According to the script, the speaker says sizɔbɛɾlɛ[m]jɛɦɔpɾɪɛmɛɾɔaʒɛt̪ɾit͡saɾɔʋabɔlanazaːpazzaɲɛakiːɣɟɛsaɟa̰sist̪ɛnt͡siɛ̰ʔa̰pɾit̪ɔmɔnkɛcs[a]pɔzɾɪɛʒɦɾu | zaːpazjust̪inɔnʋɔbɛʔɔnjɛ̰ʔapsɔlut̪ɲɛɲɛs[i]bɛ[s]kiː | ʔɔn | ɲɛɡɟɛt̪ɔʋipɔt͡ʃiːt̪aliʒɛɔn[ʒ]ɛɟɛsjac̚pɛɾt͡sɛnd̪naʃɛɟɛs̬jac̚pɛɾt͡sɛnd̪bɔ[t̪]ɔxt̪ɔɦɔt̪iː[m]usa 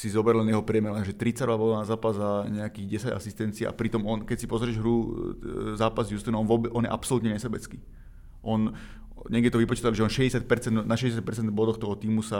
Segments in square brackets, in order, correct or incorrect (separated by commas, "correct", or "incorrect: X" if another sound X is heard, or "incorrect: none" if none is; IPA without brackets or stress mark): incorrect: n, incorrect: i, incorrect: ɛ, incorrect: t͡s, incorrect: ʃ, incorrect: d̪, correct